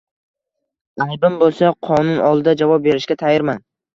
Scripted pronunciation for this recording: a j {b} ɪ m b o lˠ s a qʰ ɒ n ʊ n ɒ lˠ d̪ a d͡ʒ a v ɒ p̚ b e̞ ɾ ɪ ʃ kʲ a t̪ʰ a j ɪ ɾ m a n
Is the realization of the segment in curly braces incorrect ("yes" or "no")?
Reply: no